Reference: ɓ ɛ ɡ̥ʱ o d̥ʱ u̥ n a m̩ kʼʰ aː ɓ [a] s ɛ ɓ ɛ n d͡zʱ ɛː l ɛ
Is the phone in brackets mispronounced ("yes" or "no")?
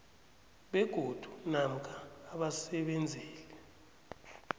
no